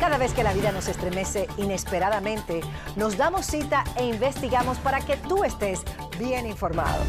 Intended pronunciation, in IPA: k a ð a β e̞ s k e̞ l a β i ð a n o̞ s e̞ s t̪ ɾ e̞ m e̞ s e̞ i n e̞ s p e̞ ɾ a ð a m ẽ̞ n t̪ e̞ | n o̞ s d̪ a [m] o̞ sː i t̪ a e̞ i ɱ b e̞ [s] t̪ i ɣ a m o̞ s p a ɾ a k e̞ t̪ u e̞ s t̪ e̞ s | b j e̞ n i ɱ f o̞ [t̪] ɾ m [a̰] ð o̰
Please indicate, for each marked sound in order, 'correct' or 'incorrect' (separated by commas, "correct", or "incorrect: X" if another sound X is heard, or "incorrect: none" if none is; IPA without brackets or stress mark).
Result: correct, correct, incorrect: none, correct